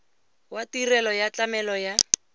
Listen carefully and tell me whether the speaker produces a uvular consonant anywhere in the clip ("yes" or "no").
no